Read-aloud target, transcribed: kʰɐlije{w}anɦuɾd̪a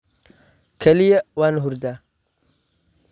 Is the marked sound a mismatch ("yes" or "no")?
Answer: no